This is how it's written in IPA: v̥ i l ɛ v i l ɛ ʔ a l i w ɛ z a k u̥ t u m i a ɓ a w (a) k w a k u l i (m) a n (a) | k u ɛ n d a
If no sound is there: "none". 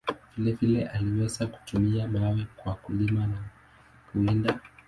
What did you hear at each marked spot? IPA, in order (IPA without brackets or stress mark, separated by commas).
ɛ, m, a